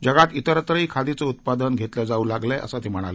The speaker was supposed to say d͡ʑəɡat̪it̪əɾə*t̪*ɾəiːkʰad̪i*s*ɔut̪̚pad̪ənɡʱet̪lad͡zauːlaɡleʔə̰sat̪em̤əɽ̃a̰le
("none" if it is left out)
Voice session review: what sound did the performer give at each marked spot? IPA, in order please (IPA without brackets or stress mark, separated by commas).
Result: t̪, t͡s